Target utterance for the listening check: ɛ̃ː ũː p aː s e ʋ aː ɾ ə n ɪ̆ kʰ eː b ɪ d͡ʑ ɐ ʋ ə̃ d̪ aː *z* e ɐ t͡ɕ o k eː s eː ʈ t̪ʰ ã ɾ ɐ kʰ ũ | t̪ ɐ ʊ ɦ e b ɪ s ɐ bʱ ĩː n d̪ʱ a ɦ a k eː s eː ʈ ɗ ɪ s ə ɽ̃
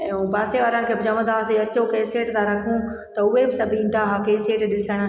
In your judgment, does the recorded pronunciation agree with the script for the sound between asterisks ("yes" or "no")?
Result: no